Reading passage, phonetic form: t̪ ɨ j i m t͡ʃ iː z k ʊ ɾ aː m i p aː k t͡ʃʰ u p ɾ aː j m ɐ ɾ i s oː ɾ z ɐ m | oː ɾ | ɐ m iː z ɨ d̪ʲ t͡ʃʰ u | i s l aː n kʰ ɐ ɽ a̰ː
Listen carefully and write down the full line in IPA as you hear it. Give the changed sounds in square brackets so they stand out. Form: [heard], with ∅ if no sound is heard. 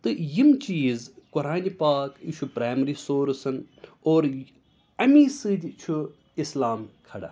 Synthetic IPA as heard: t̪ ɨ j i m t͡ʃ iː z k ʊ ɾ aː [n] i p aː k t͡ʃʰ u p ɾ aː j m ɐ ɾ i s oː ɾ [s] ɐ [n] | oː ɾ | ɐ m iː [s] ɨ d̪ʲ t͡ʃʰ u | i s l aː [m] kʰ ɐ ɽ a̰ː